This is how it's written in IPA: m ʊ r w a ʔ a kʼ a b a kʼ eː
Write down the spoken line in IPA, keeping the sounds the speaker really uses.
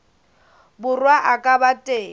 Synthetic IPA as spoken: b ʊ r w a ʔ a kʼ a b a tʼ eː